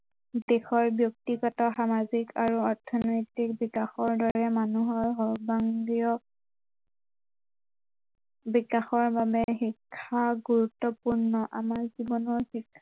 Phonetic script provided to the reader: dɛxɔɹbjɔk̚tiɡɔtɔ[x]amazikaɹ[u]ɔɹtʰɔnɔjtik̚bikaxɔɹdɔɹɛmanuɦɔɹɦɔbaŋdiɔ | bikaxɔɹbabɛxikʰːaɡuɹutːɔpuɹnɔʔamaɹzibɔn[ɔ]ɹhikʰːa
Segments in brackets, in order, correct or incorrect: correct, correct, correct

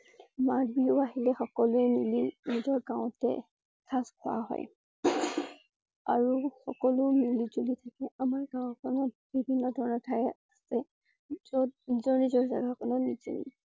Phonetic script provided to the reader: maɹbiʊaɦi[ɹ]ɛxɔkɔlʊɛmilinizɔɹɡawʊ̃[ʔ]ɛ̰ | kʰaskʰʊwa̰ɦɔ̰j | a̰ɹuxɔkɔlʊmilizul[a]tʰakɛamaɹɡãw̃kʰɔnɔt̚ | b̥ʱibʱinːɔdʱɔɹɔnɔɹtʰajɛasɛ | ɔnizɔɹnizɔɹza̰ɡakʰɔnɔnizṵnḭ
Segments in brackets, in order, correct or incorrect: incorrect, incorrect, incorrect

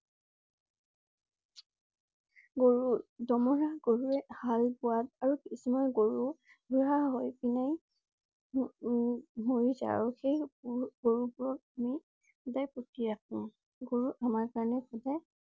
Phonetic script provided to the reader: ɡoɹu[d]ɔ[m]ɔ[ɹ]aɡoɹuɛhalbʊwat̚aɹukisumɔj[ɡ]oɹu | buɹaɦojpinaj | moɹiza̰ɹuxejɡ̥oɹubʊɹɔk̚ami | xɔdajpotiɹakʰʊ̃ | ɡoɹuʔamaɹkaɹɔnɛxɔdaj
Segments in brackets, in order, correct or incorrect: correct, correct, correct, correct

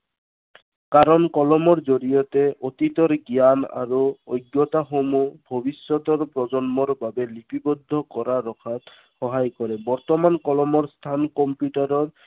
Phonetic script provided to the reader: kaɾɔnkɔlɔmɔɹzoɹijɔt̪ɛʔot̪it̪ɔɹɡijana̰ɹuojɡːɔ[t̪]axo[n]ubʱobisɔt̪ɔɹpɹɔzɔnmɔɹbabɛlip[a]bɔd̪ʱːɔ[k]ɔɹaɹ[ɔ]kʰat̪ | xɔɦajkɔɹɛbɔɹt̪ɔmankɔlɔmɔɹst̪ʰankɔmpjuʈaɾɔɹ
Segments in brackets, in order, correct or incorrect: correct, incorrect, incorrect, correct, correct

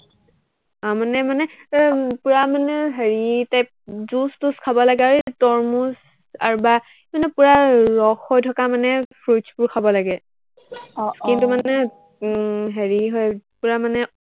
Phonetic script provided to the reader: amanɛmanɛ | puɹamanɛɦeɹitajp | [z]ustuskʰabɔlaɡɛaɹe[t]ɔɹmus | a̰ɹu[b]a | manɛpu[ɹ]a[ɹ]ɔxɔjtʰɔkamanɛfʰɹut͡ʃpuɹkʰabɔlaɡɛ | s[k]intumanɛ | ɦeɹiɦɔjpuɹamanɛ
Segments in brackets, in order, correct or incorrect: correct, correct, correct, correct, correct, correct

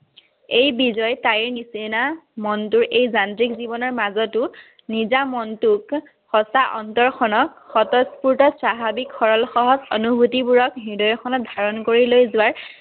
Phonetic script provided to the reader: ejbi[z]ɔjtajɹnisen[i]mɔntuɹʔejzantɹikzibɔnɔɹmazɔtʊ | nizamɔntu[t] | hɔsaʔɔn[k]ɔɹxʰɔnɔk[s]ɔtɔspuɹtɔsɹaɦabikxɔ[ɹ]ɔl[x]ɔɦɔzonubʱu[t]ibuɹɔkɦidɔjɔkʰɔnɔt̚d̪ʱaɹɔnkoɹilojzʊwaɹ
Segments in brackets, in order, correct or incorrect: correct, incorrect, incorrect, incorrect, incorrect, correct, correct, correct

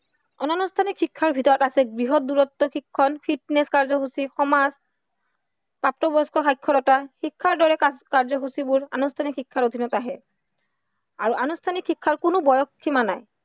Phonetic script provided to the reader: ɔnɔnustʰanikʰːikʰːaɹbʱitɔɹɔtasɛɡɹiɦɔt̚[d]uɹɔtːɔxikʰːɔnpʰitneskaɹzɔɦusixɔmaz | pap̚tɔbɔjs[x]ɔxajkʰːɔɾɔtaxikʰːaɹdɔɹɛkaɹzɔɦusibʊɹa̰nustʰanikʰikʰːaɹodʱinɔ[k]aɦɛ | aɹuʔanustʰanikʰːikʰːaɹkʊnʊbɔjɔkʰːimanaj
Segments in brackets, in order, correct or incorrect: correct, incorrect, incorrect

